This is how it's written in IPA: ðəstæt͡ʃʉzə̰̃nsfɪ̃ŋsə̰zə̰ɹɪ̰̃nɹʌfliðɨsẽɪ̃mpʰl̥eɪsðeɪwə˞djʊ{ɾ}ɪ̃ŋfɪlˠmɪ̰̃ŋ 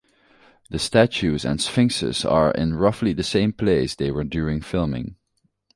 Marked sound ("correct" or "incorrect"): incorrect